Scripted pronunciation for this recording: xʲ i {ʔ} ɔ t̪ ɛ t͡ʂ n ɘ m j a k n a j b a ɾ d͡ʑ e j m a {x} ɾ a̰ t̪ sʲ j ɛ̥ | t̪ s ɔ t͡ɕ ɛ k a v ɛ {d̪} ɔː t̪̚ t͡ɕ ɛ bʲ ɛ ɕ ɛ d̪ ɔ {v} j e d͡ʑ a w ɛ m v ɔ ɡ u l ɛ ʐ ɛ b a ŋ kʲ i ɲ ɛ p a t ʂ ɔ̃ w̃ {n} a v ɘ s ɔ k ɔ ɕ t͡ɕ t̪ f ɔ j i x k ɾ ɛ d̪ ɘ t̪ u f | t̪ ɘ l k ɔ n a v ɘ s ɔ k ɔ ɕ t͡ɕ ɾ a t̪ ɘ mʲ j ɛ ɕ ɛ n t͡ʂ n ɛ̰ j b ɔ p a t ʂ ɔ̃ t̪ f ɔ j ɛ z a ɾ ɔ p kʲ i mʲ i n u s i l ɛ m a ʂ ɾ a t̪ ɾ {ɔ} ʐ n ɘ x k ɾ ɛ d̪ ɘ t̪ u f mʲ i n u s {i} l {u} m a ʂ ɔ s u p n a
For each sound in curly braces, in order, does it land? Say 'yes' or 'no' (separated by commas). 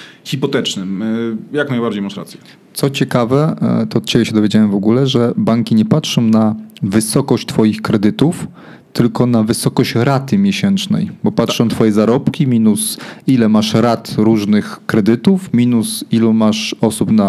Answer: no, no, no, yes, yes, no, yes, yes